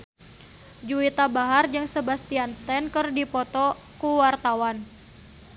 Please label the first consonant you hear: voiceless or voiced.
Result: voiced